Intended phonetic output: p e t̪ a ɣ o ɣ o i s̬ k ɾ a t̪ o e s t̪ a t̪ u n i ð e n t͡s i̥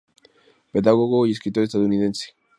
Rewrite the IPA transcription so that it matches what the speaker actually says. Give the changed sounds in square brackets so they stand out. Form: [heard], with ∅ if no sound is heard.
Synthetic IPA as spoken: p e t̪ a ɣ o ɣ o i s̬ k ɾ [i] t̪ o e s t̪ a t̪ u n i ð e n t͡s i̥